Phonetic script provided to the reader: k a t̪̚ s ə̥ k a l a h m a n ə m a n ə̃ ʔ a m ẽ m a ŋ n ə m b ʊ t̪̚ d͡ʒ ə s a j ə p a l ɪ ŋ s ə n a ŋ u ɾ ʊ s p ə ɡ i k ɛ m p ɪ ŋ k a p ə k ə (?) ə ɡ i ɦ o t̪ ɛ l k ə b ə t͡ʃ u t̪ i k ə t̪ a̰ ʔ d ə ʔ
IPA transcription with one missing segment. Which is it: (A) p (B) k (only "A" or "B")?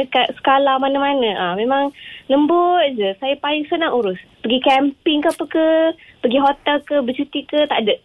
A